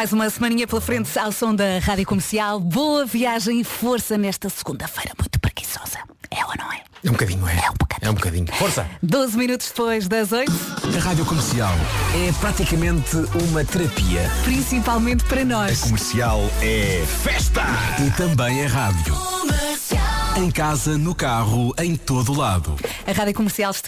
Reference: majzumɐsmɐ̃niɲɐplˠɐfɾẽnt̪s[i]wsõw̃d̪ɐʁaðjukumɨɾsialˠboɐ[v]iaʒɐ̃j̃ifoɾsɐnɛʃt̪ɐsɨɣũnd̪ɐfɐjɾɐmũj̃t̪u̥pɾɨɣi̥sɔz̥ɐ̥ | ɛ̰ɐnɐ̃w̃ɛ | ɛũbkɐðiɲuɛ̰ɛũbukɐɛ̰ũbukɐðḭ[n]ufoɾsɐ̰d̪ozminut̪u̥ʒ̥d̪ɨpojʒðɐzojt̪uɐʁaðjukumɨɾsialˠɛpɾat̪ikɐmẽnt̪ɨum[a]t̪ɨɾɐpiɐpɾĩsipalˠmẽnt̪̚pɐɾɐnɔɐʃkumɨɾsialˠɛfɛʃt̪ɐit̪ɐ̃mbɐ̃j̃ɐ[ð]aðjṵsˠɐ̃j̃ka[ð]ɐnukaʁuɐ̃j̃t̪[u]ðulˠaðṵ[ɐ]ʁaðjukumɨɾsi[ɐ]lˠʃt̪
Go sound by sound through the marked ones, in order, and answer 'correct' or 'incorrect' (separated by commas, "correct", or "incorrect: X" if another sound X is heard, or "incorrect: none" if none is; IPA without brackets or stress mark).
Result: incorrect: a, correct, incorrect: ɲ, incorrect: ɐ, incorrect: ʁ, incorrect: z, incorrect: o, correct, incorrect: a